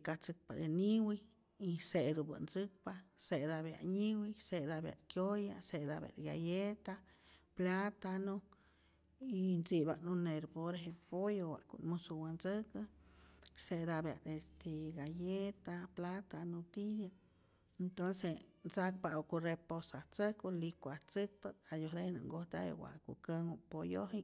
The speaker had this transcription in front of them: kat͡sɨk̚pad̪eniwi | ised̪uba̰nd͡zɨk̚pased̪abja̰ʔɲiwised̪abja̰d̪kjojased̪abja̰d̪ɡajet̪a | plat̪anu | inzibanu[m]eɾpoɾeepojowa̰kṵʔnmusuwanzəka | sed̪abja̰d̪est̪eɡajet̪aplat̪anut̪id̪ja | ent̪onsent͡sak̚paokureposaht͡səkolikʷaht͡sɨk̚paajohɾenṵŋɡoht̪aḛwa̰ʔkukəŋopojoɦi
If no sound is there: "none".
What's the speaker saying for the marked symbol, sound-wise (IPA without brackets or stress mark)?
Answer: n